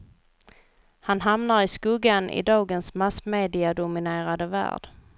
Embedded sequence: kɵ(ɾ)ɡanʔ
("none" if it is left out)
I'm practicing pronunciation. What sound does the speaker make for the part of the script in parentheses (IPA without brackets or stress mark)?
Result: none